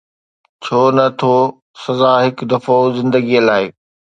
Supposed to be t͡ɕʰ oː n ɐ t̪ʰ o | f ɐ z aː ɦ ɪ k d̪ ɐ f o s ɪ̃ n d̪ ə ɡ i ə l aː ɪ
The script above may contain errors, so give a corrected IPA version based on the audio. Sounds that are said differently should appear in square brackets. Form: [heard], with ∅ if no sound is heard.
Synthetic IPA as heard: t͡ɕʰ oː n ɐ t̪ʰ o | [s] ɐ z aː ɦ ɪ k d̪ ɐ f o [z] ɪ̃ n d̪ ə ɡ i ə l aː ɪ